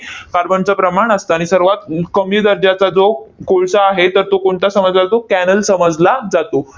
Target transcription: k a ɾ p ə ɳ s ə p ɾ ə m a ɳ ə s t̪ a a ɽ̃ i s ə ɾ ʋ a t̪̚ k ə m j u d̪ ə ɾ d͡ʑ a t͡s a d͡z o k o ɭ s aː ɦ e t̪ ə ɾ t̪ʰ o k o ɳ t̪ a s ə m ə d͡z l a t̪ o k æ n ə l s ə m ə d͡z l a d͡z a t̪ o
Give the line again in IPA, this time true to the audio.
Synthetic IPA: k a ɾ b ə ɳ t͡s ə p ɾ ə m a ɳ ə s t̪ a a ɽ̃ i s ə ɾ ʋ a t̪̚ k ə m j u d̪ ə ɾ d͡ʑ a t͡s a d͡z o k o ɭ s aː ɦ e t̪ ə ɾ t̪ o k o ɳ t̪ a s ə m ə d͡z l a t̪ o k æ n ə l s ə m ə d͡z l a d͡z a t̪ o